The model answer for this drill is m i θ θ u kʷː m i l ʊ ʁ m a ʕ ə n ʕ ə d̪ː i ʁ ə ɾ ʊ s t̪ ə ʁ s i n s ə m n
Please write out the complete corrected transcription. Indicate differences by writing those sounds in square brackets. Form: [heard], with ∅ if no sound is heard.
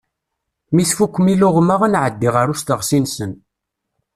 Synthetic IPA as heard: m i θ [f] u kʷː m i l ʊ ʁ m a [ʁ] ə n ʕ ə d̪ː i ʁ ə ɾ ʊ s t̪ ə ʁ s i n s ə [∅] n